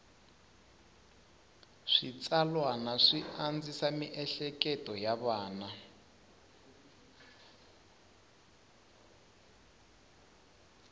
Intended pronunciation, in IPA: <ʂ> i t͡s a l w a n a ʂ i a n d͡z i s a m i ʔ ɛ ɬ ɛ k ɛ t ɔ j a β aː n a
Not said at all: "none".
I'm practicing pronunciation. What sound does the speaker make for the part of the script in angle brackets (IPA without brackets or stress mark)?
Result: ʂ